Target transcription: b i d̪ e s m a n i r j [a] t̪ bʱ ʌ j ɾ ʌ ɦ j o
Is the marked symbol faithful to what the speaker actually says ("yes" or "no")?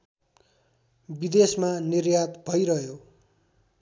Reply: yes